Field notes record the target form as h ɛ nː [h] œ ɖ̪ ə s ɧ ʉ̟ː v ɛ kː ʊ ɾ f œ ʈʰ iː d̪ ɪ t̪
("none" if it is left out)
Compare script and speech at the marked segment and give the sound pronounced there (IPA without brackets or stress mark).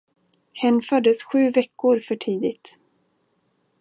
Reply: f